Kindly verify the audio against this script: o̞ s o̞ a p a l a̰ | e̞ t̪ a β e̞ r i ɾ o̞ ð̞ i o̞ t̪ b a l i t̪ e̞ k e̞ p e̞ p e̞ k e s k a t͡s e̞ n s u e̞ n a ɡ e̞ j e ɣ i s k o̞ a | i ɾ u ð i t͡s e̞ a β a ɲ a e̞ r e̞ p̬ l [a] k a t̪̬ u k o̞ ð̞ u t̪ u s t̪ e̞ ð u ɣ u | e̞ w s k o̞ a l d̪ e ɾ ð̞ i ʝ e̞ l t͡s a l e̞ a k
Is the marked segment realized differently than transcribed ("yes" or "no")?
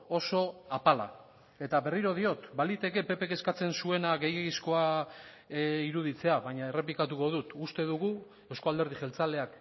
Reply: yes